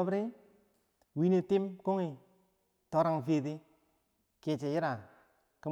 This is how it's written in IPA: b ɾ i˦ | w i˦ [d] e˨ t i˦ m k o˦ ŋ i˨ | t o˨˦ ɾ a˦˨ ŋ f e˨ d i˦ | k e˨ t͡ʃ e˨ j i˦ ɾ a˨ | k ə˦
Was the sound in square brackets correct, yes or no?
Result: no